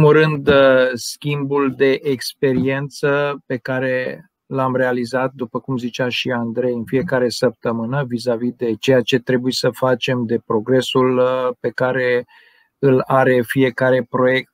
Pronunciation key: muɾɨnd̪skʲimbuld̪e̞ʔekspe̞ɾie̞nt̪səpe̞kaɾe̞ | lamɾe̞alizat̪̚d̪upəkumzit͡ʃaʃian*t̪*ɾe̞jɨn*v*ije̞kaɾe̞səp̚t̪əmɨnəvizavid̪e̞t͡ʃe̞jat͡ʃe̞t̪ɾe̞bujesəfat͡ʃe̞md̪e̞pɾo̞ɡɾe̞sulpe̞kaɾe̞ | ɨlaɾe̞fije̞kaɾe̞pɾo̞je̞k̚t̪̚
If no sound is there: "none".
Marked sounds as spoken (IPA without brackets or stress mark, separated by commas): d̪, f